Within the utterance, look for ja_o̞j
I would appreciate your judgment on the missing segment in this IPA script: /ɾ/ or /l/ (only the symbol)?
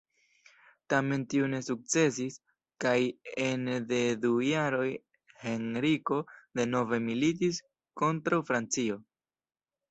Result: ɾ